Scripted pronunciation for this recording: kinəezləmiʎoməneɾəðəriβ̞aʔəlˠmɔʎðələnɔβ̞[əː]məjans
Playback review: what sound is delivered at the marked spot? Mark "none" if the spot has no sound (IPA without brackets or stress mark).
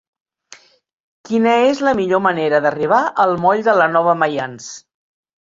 ə